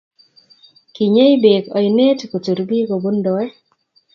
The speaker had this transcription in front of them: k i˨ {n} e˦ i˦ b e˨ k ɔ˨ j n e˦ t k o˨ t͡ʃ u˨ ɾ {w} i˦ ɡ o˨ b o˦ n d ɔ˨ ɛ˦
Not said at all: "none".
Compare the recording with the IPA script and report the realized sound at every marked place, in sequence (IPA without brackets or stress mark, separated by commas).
ɲ, b